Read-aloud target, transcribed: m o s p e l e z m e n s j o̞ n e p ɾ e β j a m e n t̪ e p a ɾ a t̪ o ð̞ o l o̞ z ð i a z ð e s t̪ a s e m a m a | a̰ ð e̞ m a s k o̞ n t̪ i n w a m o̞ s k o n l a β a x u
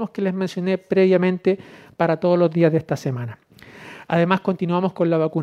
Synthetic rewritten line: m o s k e l e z m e n s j o̞ n e p ɾ e β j a m ẽ n t̪ e p a ɾ a t̪ o ð̞ o l o̞ z ð i a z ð e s t̪ a s e m a n a | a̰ ð e̞ m a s k o̞ n t̪ i n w a m o̞ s k o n l a β a k u